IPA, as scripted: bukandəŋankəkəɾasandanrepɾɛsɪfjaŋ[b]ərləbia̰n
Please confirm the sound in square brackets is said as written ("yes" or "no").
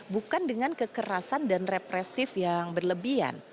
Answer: yes